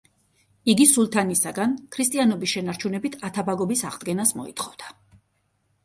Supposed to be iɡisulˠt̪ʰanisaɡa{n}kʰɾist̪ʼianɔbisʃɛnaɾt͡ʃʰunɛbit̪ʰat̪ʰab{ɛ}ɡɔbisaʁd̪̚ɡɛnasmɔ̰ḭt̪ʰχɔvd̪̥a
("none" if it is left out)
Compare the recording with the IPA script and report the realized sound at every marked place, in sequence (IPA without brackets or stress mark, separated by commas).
n, a